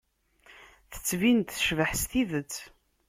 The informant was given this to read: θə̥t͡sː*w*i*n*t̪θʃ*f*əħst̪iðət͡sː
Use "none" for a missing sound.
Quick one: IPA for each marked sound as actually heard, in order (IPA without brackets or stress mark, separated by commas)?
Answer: v, n, v